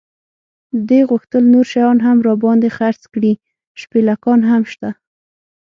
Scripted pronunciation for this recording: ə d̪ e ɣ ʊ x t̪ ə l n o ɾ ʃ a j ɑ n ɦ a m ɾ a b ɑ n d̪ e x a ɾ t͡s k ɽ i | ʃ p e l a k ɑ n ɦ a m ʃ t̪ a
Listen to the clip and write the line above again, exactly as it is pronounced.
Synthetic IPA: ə d̪ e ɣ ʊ x t̪ ə l n o ɾ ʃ a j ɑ n ɦ a m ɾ ɑ b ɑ n d̪ e x a ɾ t͡s k ɽ i | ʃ p e l a k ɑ n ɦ a m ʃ t̪ a